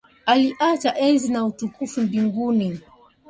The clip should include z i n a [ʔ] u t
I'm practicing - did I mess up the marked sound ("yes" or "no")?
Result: yes